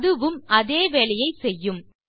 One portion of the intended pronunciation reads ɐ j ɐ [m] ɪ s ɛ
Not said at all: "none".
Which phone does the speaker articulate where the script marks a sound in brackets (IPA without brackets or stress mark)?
none